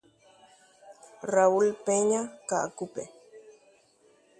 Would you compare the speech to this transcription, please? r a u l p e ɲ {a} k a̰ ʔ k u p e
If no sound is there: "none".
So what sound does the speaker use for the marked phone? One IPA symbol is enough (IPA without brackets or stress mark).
a